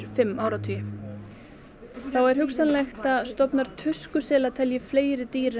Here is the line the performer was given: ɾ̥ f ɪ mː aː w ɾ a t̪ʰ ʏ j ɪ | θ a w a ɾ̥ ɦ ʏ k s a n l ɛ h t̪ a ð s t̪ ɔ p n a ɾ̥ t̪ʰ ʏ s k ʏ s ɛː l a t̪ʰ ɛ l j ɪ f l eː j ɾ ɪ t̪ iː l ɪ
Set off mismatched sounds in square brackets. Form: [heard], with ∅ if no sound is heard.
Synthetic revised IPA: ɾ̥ f ɪ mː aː w ɾ a t̪ʰ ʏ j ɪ | θ a w [ɛ] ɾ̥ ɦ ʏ k s a n l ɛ [x] t̪ a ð s t̪ ɔ p n a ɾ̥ t̪ʰ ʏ s k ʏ s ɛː l a t̪ʰ ɛ l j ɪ f l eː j ɾ ɪ t̪ iː [ɾ] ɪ